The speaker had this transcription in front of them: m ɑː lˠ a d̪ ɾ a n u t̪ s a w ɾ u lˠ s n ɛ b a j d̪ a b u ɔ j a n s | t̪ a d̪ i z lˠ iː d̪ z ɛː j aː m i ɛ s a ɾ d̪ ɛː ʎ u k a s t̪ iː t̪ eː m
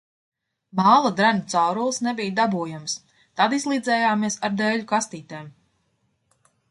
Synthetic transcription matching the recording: m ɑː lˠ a d̪ ɾ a n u t̪ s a w ɾ u lˠ s n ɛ b i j d̪ a b u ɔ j a m s | t̪ a d̪ i z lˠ iː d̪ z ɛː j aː m i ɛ s a ɾ d̪ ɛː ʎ u k a s t̪ iː t̪ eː m